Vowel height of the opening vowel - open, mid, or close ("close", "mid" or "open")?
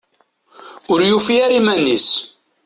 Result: close